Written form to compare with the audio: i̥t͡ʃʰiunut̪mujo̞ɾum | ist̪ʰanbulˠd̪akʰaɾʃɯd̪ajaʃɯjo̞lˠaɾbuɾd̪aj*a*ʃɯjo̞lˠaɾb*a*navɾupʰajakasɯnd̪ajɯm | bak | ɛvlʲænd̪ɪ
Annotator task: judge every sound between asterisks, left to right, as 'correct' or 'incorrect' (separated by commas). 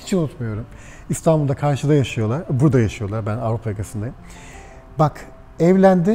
correct, incorrect